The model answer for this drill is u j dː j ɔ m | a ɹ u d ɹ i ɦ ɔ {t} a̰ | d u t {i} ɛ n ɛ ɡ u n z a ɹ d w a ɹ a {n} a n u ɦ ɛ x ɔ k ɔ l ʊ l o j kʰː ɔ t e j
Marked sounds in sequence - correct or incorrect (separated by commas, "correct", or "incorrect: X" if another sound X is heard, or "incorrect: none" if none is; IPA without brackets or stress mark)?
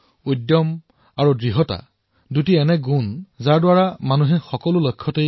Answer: correct, correct, incorrect: m